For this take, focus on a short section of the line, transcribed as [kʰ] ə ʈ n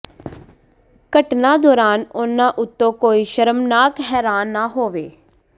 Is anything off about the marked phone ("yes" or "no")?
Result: yes